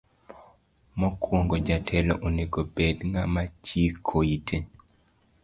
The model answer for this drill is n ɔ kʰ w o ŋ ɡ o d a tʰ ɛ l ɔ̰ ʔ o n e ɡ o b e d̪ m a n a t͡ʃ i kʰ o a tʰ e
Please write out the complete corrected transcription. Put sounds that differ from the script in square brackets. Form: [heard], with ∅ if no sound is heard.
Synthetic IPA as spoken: [m] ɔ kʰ w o ŋ ɡ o [d͡ʒ] a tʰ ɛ l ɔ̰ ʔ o n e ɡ o b e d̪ [ŋ] a [m] a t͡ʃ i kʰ o [i] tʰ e